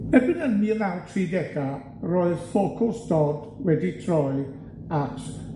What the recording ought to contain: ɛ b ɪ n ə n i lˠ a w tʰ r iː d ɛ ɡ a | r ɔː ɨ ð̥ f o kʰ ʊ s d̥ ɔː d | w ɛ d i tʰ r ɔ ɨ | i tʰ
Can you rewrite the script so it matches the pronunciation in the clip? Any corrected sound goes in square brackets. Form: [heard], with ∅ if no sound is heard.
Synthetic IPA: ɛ b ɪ n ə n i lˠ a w tʰ r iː d ɛ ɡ a | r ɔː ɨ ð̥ f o kʰ ʊ s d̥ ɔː d | w ɛ d i tʰ r ɔ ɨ | [a] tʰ